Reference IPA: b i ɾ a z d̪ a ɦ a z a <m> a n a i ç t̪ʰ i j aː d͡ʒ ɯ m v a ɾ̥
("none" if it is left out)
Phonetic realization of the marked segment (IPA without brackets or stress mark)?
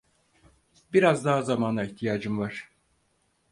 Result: m